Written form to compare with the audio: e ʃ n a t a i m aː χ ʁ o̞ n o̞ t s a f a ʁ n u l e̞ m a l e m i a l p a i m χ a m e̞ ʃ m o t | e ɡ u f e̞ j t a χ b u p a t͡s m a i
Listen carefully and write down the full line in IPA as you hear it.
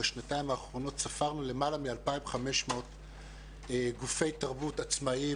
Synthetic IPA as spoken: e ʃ n a t a i m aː χ ʁ o̞ n o̞ t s a f a ʁ n u l e̞ m a l a m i a l p a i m χ a m e̞ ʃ m o t | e ɡ u f e̞ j t a ʁ b u t a t͡s m a i